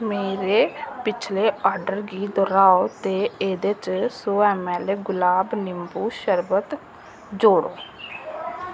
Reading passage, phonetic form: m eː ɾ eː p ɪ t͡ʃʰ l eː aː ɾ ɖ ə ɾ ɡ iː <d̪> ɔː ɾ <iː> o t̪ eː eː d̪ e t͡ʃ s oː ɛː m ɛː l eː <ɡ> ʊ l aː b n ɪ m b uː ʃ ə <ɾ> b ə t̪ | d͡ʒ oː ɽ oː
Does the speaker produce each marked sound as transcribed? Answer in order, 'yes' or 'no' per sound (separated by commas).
yes, no, yes, yes